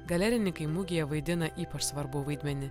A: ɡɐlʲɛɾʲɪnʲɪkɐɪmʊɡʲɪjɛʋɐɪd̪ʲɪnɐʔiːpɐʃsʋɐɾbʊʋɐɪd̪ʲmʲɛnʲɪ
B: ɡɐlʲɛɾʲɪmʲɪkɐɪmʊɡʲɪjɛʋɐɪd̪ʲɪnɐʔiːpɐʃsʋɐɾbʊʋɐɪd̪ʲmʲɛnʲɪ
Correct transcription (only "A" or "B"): A